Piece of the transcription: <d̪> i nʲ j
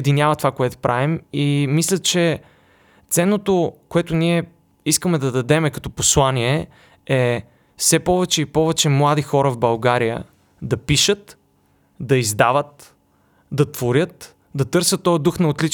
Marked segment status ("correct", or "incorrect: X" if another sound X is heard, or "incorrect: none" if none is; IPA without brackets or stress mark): correct